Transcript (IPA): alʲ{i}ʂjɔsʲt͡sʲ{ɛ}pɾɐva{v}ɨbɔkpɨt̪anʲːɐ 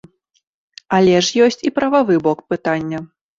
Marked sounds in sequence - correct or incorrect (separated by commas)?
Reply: incorrect, incorrect, correct